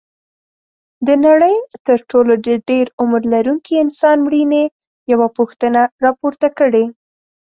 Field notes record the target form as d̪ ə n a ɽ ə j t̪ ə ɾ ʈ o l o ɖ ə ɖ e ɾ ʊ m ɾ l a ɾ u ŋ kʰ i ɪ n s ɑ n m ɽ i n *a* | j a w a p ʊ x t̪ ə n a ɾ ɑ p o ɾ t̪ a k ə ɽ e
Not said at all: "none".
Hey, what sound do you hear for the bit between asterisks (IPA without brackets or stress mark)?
e